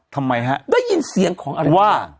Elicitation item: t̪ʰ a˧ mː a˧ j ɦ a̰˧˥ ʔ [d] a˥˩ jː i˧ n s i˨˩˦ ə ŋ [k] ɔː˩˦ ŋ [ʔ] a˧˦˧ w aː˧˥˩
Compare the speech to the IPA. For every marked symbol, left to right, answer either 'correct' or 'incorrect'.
correct, incorrect, correct

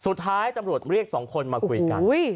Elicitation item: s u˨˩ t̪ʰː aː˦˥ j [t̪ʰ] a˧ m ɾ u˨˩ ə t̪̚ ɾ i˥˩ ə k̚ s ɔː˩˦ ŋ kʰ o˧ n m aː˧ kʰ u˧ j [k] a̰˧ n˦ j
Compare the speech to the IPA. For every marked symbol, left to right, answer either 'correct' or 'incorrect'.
incorrect, correct

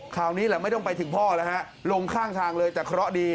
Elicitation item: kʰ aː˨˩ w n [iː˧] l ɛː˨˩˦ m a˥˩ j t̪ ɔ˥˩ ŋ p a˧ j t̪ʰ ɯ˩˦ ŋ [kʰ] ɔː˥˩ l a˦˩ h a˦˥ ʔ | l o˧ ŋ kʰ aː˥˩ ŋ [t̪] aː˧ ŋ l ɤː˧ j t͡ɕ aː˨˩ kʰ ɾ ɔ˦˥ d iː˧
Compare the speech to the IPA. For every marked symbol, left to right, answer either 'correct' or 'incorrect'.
incorrect, incorrect, incorrect

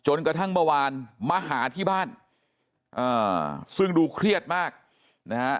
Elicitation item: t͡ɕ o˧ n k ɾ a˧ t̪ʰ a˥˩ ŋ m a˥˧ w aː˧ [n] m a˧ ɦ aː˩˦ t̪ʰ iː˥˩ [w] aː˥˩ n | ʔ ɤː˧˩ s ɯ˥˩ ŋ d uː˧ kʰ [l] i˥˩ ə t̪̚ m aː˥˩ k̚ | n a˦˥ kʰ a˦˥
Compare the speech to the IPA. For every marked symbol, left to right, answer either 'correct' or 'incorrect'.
correct, incorrect, incorrect

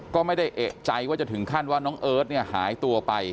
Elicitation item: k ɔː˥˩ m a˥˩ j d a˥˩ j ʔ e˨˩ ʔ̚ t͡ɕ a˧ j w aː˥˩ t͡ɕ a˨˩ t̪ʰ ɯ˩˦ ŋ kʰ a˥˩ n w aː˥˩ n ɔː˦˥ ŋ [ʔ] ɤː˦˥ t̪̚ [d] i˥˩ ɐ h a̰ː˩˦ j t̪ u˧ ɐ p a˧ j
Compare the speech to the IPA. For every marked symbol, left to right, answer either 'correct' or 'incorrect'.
correct, incorrect

